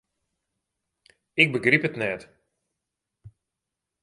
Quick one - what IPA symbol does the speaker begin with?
ɪ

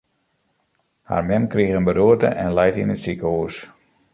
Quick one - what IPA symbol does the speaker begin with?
h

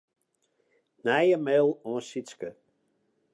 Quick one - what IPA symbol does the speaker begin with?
n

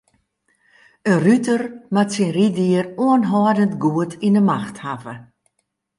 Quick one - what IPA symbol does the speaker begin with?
ə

